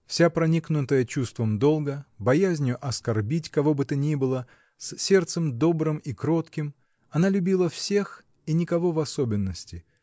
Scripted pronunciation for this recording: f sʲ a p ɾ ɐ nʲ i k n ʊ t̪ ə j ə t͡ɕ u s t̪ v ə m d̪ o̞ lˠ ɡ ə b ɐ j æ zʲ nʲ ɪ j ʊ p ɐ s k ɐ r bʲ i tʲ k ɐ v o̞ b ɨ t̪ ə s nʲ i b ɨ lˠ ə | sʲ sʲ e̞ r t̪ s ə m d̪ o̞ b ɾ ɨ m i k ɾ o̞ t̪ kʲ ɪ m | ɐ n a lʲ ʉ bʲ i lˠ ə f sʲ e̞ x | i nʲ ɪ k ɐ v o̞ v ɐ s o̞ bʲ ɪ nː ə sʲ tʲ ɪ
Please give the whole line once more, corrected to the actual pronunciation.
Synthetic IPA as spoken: f sʲ a p ɾ ɐ nʲ i k n ʊ t̪ ə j ə t͡ɕ u s t̪ v ə m d̪ o̞ lˠ ɡ ə b ɐ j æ zʲ nʲ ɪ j ʊ ʔ ɐ s k ɐ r bʲ i tʲ k ɐ v o̞ b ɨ t̪ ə nʲ i b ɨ lˠ ə | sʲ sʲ e̞ r t̪ s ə m d̪ o̞ b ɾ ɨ m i k ɾ o̞ t̪ kʲ ɪ m | ɐ n a lʲ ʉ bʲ i lˠ ə f sʲ e̞ x | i nʲ ɪ k ɐ v o̞ v ɐ s o̞ bʲ ɪ nː ə sʲ tʲ ɪ